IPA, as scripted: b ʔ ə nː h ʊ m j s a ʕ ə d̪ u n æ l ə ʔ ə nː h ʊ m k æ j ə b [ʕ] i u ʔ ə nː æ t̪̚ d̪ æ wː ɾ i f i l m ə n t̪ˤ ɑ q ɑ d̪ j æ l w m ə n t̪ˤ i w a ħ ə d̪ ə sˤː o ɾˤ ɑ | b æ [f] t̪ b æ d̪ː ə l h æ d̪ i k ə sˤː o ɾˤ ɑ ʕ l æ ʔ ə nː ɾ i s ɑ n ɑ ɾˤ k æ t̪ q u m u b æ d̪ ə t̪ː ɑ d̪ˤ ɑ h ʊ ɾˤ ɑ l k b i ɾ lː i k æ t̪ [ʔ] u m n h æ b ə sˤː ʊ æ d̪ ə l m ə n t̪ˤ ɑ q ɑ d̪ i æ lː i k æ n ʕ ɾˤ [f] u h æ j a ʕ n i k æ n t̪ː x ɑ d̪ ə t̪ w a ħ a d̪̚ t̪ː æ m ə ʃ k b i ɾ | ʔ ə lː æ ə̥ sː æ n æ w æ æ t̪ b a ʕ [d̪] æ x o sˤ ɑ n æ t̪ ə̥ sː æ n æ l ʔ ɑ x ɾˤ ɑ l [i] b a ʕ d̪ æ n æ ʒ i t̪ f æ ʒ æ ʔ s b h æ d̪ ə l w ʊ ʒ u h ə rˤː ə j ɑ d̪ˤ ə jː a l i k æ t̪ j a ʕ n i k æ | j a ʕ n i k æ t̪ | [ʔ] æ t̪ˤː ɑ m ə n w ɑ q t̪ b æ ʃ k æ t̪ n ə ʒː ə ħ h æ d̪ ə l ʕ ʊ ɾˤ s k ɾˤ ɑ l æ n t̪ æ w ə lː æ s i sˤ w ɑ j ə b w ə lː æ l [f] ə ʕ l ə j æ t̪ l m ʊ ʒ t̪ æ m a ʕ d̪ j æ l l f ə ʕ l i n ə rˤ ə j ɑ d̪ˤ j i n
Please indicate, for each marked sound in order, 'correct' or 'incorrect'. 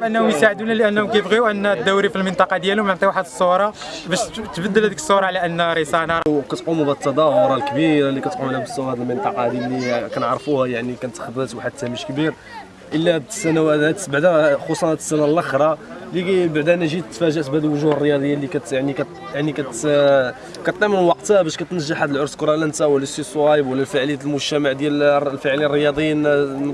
incorrect: ɣ, incorrect: ʃ, incorrect: q, correct, correct, correct, incorrect: k, correct

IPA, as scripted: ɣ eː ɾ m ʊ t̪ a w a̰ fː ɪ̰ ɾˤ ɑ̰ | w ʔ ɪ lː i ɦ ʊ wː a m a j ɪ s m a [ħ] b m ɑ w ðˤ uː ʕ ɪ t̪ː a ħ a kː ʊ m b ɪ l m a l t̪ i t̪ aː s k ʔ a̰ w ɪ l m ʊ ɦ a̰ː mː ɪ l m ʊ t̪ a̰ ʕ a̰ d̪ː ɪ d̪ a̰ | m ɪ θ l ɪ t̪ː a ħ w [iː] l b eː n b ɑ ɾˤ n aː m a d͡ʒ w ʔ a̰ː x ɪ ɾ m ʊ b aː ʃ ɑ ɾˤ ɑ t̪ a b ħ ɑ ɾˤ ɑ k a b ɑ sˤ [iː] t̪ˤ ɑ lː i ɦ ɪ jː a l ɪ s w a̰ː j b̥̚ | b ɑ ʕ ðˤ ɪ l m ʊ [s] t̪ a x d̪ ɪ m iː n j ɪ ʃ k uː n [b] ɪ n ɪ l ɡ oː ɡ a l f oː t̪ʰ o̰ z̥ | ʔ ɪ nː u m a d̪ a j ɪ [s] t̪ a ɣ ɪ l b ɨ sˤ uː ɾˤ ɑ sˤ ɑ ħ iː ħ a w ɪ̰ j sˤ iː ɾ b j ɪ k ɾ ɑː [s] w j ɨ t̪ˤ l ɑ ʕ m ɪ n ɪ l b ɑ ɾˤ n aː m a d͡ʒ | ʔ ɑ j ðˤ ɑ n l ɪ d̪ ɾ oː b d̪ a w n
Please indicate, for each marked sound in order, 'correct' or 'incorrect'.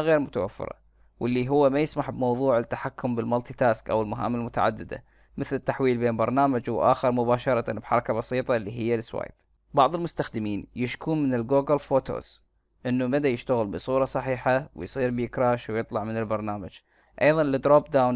correct, correct, correct, correct, incorrect: m, incorrect: ʃ, incorrect: ʃ

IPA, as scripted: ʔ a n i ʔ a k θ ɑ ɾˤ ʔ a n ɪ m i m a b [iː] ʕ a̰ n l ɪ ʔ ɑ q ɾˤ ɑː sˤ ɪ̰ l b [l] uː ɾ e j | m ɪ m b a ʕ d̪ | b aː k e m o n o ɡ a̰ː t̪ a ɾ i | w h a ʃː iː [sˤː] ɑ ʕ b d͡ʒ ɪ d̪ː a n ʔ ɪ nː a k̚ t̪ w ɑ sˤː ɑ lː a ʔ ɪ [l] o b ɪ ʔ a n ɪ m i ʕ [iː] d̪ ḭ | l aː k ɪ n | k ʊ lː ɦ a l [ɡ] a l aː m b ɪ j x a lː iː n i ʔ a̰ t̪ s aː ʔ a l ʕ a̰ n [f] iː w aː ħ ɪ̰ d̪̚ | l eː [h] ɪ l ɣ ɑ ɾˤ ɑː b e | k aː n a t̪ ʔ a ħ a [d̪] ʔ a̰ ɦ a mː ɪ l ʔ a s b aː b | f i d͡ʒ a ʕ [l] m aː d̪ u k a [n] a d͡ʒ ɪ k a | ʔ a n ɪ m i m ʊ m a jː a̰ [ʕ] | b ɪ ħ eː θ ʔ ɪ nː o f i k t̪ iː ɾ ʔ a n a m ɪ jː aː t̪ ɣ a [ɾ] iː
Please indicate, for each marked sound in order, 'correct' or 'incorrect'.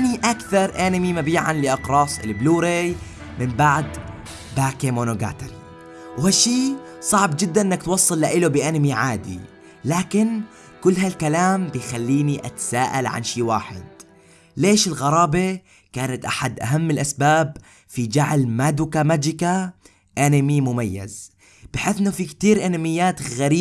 correct, correct, incorrect: sˤ, correct, incorrect: aː, incorrect: k, incorrect: ʃ, incorrect: ʃ, correct, correct, incorrect: m, incorrect: z, correct

